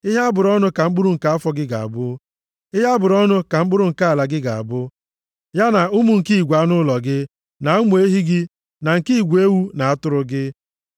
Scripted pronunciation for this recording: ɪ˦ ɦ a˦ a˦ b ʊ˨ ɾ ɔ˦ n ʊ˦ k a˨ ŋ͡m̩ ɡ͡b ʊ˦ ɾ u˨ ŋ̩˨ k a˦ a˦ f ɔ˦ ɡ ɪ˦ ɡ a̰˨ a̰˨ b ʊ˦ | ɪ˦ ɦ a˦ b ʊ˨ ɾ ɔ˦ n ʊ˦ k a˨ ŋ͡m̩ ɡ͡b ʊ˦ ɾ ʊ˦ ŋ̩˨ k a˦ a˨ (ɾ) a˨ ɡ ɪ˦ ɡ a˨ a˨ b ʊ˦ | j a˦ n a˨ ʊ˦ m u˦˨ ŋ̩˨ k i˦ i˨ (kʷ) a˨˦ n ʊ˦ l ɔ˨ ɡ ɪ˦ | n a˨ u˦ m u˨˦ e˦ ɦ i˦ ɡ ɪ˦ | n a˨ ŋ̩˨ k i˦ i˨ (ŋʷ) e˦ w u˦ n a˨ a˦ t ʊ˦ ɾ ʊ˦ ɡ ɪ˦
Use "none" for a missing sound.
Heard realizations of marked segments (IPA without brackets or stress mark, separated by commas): l, ɡʷ, ɡʷ